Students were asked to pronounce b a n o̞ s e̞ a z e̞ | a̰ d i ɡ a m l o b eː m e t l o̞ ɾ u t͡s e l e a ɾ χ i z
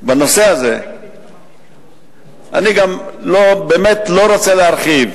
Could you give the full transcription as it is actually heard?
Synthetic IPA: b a n o̞ s e̞ a z e̞ | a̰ n i ɡ a m l o b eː m e t l o̞ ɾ o t͡s e l e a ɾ χ i v